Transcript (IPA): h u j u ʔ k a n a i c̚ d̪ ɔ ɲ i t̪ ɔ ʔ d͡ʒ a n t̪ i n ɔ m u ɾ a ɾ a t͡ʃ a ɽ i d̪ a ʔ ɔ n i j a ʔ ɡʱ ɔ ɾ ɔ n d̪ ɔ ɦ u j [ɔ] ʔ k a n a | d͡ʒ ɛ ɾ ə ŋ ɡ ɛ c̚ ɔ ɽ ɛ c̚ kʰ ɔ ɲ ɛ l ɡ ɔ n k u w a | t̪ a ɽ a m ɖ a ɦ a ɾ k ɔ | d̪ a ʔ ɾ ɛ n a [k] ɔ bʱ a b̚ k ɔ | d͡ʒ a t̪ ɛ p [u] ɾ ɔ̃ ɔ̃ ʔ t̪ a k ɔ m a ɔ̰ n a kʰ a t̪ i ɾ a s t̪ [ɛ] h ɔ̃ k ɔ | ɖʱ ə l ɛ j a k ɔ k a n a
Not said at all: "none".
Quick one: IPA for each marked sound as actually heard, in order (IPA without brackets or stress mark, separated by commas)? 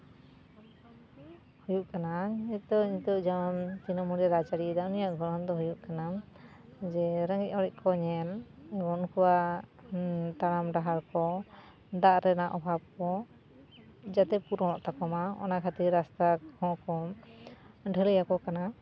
u, ʔ, u, a